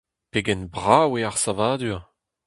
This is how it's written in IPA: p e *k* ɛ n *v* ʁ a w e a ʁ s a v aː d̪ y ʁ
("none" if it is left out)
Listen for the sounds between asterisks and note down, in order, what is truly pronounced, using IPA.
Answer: ɡ, b

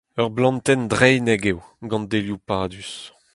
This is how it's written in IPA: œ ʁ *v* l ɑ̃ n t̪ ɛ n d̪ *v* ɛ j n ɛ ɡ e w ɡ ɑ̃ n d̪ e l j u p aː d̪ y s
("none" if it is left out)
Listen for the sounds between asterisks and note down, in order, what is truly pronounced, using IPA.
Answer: b, ʁ

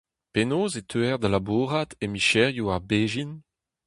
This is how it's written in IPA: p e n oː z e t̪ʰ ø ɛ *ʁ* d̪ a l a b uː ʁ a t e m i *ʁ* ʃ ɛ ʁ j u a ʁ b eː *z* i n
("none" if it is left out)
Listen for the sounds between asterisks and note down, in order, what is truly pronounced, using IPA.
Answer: ʁ, none, ʒ

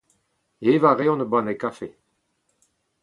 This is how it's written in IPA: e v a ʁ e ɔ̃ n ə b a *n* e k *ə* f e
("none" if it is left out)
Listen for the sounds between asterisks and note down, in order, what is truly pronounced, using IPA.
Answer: n, a

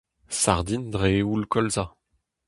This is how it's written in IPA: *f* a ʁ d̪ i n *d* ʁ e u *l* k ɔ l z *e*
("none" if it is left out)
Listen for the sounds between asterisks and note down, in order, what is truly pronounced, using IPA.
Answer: s, d, l, a

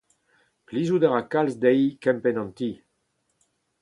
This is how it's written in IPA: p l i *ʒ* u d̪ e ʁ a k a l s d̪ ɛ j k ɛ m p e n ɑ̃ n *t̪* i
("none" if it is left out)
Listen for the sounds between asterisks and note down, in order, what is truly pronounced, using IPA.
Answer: z, t̪

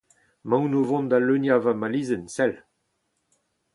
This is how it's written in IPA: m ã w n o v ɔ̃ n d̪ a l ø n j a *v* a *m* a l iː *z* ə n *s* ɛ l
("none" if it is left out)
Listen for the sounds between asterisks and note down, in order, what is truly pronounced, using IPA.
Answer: v, m, z, s

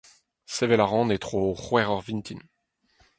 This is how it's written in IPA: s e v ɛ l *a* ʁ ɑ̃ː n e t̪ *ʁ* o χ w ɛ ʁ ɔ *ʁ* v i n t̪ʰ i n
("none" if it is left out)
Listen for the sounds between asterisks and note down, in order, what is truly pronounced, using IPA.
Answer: a, χ, ʁ

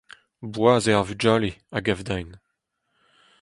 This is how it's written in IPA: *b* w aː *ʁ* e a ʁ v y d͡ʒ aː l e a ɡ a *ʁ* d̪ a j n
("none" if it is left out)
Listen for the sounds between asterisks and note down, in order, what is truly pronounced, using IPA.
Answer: b, z, v

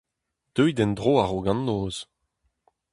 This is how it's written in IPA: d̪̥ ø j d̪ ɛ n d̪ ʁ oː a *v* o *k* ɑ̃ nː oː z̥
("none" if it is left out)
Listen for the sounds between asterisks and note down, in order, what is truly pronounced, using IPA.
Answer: ʁ, ɡ

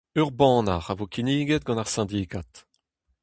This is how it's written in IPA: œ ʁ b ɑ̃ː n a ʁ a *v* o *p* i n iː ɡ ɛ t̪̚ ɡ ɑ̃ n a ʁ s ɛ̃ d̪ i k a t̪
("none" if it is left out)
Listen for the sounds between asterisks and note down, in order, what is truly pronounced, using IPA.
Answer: v, k

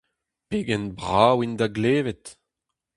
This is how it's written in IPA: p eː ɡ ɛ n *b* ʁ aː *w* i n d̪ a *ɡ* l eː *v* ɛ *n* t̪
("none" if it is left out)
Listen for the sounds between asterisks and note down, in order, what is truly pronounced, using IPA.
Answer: b, w, ɡ, v, none

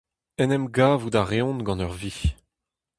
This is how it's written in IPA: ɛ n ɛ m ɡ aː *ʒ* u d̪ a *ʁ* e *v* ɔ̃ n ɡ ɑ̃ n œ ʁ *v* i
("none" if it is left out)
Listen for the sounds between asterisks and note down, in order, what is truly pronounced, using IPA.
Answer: v, ʁ, none, v

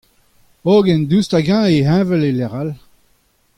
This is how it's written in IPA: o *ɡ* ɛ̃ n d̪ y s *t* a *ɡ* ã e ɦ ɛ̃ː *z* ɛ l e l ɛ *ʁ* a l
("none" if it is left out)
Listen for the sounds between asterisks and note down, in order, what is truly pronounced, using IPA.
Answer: ɡ, t, ɡ, v, ʁ

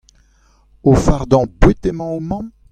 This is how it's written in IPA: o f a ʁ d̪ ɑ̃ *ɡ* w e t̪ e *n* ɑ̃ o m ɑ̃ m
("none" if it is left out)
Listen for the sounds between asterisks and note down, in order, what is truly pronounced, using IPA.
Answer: b, m

